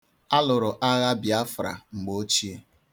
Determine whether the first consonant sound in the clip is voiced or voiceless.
voiced